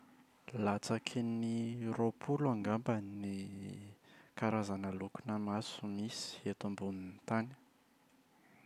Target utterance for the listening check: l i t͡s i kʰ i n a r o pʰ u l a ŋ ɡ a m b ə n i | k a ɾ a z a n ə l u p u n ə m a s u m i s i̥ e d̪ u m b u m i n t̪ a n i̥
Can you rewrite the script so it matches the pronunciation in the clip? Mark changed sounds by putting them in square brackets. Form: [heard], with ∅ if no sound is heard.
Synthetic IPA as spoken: l [a] t͡s [a] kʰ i n [i] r o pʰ u l a ŋ ɡ a m b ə n i | k a ɾ a z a n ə l u [k] u n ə m a s u m i s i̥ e [t̪] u m b u [n] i n t̪ a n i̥